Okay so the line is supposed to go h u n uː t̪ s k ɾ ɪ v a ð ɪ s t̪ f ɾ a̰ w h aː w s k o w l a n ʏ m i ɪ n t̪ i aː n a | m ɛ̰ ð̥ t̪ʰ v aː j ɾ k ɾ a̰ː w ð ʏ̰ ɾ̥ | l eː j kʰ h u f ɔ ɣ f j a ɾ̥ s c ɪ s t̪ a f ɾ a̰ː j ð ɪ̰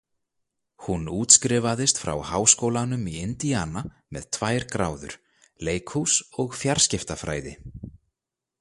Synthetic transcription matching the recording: h u n uː t̪ s k ɾ ɪ v a ð ɪ s t̪ f ɾ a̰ w h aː w s k o w l a n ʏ m i ɪ n t̪ i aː n a | m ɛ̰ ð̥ t̪ʰ v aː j ɾ k ɾ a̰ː w ð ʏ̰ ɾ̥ | l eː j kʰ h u s ɔ ɣ f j a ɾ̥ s c ɪ f t̪ a f ɾ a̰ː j ð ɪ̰